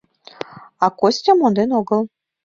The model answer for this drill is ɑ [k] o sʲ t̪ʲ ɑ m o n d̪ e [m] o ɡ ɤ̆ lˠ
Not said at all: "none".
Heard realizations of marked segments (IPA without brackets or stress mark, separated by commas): k, n